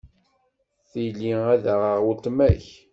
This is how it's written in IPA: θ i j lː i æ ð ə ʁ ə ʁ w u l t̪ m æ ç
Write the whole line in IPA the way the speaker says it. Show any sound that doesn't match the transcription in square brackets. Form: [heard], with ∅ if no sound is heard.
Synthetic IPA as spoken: θ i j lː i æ ð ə ʁ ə ʁ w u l t̪ m æ ç

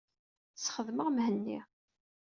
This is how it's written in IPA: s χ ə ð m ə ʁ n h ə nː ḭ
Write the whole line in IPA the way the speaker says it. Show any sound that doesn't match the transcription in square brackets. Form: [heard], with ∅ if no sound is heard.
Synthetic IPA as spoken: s χ ə ð m ə ʁ [m] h ə nː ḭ

